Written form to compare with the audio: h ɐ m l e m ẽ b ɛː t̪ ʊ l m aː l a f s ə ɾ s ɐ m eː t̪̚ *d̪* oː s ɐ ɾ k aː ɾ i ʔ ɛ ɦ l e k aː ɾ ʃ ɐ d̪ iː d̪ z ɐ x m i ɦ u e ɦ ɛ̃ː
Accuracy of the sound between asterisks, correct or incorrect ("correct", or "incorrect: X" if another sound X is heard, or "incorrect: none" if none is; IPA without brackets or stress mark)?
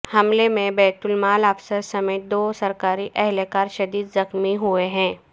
correct